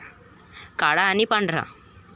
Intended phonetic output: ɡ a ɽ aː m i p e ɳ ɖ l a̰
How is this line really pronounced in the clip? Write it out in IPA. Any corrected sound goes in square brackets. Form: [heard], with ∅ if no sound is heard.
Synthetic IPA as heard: [k] a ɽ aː [n] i p [a] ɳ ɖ [ɾ] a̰